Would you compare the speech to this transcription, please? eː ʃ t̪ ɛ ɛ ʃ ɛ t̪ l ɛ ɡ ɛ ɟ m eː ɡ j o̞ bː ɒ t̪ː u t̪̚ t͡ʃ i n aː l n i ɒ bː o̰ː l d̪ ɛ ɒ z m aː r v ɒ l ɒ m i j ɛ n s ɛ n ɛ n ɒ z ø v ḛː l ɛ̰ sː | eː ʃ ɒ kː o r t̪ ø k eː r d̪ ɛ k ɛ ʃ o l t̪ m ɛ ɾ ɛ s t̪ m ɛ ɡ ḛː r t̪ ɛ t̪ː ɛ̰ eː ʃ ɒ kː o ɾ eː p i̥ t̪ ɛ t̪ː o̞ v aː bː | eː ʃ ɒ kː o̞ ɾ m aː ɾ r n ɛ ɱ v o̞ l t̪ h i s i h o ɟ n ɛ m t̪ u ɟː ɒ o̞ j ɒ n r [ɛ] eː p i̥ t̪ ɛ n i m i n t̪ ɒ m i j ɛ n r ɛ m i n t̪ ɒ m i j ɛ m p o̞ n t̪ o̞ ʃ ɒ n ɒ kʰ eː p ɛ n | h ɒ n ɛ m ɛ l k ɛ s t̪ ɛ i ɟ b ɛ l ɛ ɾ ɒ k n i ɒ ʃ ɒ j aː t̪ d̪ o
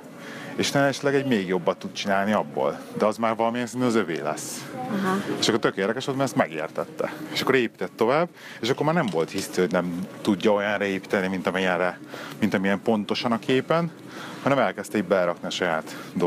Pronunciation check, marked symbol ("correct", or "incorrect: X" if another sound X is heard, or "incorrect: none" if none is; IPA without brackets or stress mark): correct